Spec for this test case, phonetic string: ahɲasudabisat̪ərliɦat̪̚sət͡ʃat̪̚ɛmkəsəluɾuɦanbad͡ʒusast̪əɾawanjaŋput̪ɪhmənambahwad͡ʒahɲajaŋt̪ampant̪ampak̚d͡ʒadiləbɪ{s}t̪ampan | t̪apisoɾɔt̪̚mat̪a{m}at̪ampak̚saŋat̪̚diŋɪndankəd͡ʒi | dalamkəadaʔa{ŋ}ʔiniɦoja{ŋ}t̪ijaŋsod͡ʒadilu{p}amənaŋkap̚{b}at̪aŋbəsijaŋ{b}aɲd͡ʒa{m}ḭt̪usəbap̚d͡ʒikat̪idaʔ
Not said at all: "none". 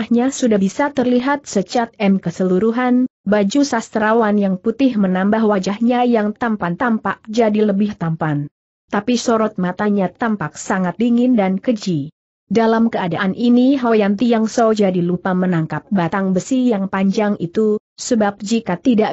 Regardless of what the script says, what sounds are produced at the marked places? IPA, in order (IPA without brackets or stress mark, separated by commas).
h, ɲ, n, n, p, b, p, ŋ